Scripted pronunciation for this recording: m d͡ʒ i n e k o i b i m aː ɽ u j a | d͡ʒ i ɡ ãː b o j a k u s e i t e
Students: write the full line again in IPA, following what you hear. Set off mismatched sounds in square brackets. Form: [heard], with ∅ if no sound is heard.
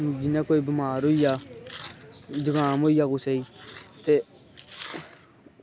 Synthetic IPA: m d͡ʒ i n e k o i b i m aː [ɾ] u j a | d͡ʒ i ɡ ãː [m] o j a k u s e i t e